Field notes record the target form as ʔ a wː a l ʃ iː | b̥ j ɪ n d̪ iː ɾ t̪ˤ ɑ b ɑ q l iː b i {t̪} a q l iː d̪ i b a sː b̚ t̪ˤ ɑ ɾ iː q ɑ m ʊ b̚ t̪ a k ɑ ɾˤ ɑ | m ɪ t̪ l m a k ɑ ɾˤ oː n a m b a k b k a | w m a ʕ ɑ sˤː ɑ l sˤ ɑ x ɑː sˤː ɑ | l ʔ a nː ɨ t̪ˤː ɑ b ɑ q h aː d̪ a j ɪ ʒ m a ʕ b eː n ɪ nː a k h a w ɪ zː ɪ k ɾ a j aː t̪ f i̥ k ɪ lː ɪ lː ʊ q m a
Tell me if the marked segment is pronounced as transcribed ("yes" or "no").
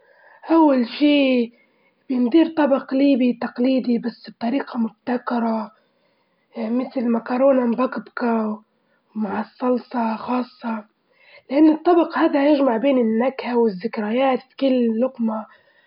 yes